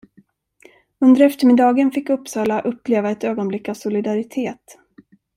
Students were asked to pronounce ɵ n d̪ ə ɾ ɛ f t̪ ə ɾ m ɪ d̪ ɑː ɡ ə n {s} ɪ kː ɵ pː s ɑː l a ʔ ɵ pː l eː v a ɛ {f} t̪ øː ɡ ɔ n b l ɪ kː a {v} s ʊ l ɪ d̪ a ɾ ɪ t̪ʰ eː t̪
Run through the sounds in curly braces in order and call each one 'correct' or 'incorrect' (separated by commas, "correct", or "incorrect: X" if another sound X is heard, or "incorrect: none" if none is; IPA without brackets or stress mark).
incorrect: f, incorrect: none, correct